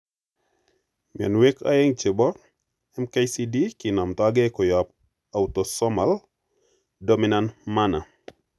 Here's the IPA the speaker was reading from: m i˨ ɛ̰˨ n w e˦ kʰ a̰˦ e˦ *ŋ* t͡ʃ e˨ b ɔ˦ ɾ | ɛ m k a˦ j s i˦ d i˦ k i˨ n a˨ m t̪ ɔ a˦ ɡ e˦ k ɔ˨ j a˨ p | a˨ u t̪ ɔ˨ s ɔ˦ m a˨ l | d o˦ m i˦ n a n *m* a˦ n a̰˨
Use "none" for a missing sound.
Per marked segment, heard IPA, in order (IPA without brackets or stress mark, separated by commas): ŋ, m